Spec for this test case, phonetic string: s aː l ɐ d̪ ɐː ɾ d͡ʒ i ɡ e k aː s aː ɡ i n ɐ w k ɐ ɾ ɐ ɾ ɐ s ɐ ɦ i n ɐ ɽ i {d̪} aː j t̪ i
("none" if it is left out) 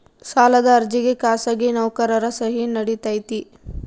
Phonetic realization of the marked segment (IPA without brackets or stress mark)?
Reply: t̪